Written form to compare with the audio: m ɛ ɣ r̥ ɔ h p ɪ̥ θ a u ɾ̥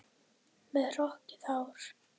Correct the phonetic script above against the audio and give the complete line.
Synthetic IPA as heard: m ɛ ð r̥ ɔ h c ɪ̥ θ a w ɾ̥